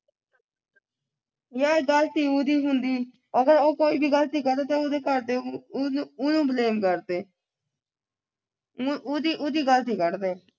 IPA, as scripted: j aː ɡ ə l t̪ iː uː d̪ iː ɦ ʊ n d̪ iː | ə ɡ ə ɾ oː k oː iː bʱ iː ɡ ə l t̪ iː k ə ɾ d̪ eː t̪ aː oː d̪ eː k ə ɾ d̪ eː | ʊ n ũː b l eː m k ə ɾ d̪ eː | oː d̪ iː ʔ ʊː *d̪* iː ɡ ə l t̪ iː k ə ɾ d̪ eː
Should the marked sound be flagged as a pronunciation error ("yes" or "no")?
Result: no